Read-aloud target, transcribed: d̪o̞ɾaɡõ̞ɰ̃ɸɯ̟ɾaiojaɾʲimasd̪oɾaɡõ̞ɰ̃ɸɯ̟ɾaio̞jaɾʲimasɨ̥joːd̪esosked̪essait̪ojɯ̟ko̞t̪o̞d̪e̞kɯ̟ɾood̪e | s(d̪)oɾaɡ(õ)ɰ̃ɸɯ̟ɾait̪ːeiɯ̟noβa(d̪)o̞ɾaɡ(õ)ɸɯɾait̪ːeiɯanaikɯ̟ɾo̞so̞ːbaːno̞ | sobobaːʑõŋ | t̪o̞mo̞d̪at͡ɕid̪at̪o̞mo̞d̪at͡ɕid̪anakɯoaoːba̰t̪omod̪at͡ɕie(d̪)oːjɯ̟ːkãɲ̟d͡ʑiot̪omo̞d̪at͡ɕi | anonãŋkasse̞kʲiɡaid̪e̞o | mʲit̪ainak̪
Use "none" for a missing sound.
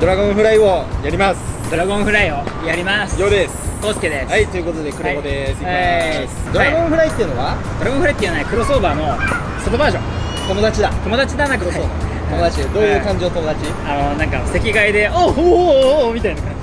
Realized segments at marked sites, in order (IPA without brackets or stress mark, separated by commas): d̪, õ, d̪, õ, d̪